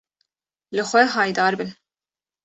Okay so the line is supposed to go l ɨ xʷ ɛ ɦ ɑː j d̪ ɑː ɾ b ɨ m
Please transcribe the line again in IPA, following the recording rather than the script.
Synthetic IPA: l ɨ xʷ ɛ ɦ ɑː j d̪ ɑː ɾ b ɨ n